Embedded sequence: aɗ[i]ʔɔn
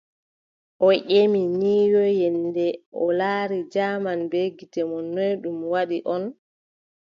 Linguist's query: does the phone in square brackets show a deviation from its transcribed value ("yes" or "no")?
no